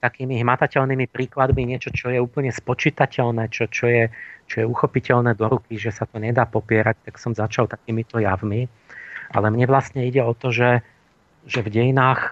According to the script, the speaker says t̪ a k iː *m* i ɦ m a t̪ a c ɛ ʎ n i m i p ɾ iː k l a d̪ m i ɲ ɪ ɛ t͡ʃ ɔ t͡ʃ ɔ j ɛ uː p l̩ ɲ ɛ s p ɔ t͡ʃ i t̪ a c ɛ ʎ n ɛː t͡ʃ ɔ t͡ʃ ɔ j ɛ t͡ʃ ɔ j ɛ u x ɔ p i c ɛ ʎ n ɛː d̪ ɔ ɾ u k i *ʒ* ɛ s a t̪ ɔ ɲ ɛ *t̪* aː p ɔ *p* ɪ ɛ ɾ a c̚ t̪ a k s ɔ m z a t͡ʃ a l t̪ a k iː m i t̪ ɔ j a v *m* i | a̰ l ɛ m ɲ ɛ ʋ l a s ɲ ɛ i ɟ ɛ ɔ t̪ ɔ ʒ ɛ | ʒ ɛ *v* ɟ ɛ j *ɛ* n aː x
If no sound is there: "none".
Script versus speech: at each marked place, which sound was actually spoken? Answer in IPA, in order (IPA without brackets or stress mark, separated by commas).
m, ʒ, d̪, p, m, v, i